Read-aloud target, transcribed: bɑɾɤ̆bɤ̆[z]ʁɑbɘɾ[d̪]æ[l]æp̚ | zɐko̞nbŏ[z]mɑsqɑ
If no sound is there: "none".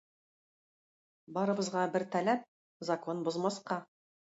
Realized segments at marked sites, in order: z, t̪, l, z

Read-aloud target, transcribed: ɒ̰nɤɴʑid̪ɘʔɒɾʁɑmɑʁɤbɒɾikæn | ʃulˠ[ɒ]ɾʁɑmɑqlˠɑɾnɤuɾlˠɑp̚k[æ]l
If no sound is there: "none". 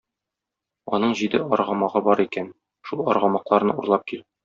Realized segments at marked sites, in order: ɒ, i

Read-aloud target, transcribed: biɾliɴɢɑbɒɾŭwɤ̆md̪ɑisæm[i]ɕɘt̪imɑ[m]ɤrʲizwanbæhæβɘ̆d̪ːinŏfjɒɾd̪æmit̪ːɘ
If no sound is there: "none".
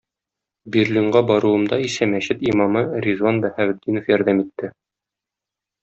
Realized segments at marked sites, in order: æ, m

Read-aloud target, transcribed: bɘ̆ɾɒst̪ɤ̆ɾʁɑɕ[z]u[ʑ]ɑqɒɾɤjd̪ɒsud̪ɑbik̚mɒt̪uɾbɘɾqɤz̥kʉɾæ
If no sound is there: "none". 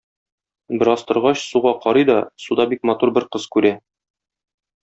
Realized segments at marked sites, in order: s, ʁ

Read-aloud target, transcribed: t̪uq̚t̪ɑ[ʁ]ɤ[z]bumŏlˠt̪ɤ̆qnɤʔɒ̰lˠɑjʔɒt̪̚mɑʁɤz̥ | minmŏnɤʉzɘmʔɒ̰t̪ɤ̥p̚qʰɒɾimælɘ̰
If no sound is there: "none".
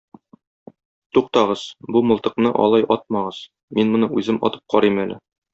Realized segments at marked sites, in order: ʁ, z

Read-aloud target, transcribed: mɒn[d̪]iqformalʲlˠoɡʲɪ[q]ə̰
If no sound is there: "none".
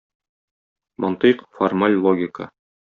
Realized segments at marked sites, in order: t̪, k

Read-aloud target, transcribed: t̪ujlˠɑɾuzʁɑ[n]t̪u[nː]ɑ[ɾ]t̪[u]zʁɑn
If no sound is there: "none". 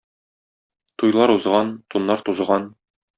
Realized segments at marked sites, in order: n, nː, ɾ, u

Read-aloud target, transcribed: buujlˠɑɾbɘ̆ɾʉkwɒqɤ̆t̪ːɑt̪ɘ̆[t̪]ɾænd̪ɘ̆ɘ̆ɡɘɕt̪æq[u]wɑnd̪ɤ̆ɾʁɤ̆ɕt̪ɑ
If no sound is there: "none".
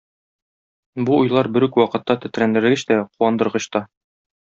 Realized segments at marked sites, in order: t̪, u

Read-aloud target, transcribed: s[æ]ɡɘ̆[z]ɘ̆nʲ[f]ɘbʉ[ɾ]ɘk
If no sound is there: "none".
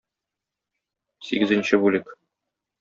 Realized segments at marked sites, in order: i, z, ɕ, l

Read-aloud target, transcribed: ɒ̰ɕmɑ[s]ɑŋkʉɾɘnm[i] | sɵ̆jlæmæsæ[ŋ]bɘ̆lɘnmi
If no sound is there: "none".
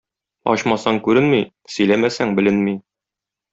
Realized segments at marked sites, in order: s, i, ŋ

